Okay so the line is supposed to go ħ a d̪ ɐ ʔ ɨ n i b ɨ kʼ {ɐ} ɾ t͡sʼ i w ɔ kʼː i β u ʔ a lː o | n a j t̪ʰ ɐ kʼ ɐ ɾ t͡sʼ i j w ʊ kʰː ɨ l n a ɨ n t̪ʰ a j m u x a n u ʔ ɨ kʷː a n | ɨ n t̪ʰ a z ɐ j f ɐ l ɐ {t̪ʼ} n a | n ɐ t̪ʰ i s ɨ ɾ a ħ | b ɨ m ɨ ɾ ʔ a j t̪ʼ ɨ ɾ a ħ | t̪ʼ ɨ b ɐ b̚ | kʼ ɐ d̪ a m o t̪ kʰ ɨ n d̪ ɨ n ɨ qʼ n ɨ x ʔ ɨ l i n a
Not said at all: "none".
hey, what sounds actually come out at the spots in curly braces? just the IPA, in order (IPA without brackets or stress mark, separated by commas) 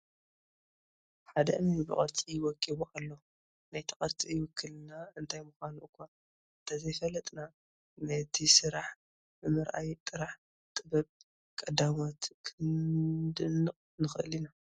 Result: ɐ, t̪ʼ